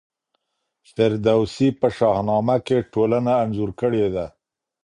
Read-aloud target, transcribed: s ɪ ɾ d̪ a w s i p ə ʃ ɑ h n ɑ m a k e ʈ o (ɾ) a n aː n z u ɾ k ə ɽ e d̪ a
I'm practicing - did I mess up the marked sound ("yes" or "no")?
yes